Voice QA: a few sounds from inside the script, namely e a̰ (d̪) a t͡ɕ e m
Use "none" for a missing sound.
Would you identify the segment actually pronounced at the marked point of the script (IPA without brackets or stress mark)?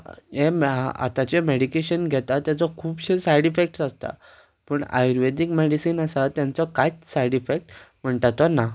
t̪